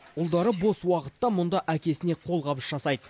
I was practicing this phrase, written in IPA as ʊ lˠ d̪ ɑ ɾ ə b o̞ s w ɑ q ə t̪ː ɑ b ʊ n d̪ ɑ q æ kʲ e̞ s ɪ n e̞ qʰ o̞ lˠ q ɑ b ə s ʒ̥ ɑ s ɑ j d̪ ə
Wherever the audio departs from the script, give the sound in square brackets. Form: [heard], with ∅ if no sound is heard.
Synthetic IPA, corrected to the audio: ʊ lˠ d̪ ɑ ɾ ə b o̞ s w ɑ q ə t̪ː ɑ [m] ʊ n d̪ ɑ [ʔ] æ kʲ e̞ s ɪ n e̞ qʰ o̞ lˠ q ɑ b ə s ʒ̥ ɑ s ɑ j d̪ ə